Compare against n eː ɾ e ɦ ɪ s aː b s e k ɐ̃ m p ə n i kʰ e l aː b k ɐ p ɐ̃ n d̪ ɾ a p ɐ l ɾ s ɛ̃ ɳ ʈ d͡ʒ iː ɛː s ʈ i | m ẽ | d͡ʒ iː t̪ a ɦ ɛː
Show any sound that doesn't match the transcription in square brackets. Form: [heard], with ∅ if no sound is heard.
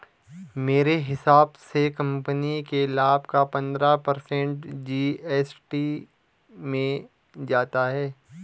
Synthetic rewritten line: [m] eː ɾ e ɦ ɪ s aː b s e k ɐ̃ m p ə n i [k] e l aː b k [a] p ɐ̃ n d̪ ɾ a p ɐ [∅] ɾ s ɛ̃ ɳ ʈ d͡ʒ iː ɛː s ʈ i | m ẽ | d͡ʒ [aː] t̪ a ɦ ɛː

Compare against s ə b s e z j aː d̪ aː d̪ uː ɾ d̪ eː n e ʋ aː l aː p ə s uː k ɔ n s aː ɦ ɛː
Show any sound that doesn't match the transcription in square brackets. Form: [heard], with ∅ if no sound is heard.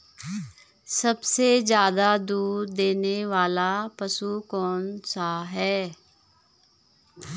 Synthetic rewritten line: s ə b s e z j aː d̪ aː d̪ uː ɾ d̪ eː n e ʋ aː l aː p ə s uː k [ɔː] n s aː ɦ ɛː

